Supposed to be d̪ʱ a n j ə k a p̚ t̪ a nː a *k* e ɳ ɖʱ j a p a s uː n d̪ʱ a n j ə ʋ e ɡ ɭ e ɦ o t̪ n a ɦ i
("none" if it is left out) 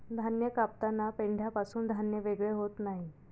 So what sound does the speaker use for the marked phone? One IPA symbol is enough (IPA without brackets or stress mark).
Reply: p